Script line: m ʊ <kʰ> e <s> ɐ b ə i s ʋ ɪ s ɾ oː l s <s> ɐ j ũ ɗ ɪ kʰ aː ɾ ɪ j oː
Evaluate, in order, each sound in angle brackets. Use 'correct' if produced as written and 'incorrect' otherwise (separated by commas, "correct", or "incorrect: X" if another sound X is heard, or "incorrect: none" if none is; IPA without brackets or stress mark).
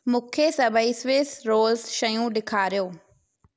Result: correct, correct, incorrect: ʃ